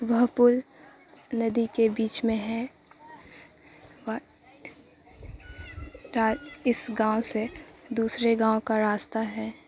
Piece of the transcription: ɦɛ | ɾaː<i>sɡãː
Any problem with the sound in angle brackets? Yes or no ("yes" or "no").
yes